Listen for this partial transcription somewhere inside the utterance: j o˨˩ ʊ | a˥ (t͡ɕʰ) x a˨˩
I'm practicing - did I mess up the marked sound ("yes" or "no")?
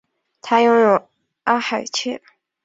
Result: yes